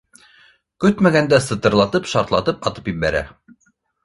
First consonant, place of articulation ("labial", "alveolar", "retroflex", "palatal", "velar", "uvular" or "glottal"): velar